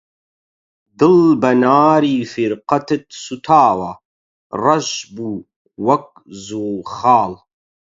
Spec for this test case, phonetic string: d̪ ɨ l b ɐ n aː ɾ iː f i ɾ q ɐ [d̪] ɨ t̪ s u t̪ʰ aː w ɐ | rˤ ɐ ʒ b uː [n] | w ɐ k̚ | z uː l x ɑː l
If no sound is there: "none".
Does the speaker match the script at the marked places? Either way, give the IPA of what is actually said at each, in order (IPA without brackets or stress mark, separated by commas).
t̪, none